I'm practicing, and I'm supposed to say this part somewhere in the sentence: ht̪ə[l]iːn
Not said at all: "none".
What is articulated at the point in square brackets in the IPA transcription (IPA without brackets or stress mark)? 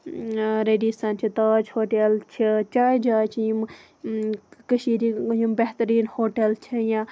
ɾ